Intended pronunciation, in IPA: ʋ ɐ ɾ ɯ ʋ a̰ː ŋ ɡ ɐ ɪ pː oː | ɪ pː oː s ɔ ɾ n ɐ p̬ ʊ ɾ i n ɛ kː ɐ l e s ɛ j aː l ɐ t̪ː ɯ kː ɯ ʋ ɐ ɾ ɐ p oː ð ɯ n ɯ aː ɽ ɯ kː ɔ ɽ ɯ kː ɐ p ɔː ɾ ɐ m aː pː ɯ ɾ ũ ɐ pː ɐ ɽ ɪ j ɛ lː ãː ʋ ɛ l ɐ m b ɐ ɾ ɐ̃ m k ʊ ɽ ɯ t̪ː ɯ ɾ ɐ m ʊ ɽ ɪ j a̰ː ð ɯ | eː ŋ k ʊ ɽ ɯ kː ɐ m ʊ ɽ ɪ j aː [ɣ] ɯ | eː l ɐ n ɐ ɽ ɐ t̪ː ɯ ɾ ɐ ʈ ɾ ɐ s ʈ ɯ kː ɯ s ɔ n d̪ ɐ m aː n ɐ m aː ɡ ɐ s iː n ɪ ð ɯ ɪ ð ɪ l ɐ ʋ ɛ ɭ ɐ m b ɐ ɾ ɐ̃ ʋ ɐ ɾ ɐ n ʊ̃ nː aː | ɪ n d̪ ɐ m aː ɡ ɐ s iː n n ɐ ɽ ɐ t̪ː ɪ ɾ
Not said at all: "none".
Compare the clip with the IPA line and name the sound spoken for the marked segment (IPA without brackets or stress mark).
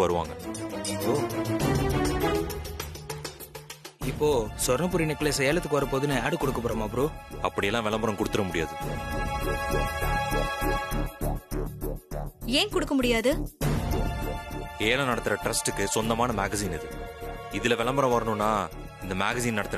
ð